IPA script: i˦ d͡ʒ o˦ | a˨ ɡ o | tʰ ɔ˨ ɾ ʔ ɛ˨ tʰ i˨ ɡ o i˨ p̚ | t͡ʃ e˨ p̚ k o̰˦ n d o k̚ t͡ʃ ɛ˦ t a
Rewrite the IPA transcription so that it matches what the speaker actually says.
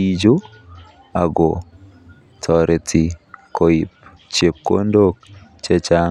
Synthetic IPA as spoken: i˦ d͡ʒ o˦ | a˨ ɡ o | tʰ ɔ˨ ɾ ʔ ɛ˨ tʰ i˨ k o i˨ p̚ | t͡ʃ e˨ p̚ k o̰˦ n d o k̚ t͡ʃ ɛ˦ t͡ʃ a

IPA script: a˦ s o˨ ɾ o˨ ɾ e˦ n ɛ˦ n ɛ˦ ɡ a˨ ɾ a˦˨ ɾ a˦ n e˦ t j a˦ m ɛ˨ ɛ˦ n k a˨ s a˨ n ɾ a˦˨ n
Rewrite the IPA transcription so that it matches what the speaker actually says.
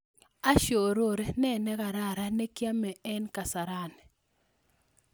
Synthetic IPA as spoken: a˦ ʃ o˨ ɾ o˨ ɾ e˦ n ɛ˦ n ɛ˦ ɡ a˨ ɾ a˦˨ ɾ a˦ n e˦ k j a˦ m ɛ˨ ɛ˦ n k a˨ s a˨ ɾ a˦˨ n

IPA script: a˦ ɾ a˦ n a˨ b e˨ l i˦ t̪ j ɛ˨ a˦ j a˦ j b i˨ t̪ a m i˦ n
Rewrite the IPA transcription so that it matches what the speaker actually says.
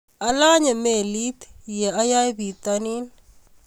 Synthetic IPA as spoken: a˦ l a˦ ɲ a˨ m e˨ l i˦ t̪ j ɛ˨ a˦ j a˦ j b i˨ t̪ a n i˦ n

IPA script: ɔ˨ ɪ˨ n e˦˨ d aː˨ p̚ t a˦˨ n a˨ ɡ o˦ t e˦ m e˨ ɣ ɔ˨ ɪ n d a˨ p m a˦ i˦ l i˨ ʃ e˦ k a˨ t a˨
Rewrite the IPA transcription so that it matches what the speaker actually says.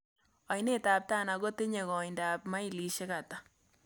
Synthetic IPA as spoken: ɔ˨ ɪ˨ n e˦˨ t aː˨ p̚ t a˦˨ n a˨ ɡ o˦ t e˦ ɲ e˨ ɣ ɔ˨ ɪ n d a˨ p m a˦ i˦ l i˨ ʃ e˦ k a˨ t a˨

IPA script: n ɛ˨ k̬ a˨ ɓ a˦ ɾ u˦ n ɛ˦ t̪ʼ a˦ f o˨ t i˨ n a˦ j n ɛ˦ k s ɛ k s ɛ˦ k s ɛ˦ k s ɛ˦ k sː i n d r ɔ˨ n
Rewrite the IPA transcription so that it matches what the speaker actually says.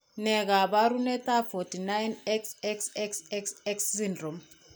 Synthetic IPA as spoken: n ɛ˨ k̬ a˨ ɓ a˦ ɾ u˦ n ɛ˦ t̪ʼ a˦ f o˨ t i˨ n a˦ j n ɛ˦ k s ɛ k s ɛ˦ k s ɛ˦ k s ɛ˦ k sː i n d r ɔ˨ m

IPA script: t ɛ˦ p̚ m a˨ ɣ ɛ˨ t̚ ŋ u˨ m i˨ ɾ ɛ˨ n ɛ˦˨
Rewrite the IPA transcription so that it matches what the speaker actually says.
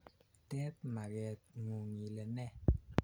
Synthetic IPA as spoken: t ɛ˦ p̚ m a˨ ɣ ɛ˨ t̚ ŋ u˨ ŋ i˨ l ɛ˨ n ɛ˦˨

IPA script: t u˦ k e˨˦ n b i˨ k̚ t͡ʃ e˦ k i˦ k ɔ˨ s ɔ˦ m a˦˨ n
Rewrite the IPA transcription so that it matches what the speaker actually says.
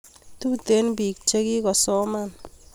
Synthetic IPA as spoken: t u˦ t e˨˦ n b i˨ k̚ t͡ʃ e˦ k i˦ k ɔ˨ s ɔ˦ m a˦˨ n

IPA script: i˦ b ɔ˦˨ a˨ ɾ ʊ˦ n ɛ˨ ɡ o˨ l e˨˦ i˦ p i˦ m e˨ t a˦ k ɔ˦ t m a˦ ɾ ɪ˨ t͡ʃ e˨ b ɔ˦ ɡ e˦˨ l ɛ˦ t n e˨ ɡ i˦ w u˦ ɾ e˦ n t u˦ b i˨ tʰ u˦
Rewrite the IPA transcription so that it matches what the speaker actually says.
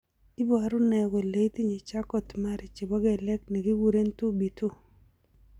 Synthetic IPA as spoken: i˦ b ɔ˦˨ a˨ ɾ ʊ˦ n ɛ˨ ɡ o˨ l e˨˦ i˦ t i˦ ɲ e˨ t͡ʃ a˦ k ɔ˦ t m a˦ ɾ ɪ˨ t͡ʃ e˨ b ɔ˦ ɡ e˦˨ l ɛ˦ k n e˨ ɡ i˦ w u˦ ɾ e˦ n t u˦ b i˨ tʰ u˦

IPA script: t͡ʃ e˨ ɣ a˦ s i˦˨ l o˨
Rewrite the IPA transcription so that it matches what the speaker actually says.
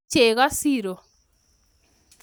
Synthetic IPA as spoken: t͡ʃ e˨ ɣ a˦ s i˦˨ ɾ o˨

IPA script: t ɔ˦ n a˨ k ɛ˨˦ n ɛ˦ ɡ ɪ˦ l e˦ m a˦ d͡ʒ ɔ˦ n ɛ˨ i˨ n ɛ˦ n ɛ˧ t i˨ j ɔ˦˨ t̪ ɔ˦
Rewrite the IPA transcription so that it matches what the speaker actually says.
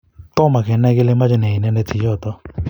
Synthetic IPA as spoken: t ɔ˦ m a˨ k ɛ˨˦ n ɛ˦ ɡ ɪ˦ l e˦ m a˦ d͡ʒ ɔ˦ n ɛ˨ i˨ n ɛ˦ n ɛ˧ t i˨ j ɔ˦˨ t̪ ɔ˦

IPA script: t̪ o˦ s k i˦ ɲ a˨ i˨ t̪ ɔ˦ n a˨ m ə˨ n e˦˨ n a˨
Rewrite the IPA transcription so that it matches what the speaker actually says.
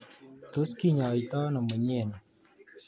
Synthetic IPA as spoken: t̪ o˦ s k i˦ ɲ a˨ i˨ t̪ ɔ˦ n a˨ m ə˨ ɲ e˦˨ n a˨

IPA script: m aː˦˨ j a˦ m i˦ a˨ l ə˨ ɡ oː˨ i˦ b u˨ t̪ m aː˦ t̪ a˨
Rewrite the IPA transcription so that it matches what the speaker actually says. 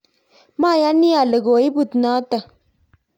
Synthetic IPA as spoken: m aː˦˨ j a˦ n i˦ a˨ l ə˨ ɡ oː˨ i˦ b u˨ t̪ n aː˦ t̪ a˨

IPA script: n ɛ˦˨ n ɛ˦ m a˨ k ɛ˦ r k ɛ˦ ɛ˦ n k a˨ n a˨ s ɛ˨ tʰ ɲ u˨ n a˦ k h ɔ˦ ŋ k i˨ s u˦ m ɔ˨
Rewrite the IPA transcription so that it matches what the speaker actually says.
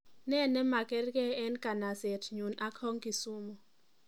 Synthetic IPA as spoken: n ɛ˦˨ n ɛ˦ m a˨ k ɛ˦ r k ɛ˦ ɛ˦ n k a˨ n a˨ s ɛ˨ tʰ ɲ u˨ n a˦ k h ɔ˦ ŋ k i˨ s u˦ m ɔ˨

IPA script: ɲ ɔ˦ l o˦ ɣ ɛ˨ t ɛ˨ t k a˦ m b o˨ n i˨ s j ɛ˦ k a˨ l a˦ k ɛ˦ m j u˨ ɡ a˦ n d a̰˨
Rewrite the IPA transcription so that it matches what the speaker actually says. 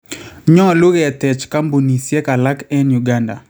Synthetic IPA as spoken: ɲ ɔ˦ l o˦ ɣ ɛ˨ t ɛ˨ t͡ʃ k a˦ m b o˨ n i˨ s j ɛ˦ k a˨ l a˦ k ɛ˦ n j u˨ ɡ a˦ n d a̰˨

